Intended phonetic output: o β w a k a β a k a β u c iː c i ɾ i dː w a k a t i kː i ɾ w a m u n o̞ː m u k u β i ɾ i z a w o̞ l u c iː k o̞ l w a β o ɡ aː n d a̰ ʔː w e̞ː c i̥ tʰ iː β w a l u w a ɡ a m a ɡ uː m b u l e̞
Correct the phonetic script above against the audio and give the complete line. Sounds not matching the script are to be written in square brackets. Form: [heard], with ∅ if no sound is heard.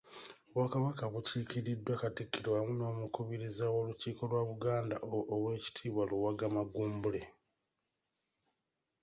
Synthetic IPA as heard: o β w a k a β a k a β u c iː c i ɾ i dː w a k a t i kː i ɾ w a m u n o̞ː m u k u β i ɾ i z a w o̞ l u c iː k o̞ l w a β [u] ɡ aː n d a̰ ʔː w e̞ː c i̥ tʰ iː β w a l u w a ɡ a m a ɡ uː m b u l e̞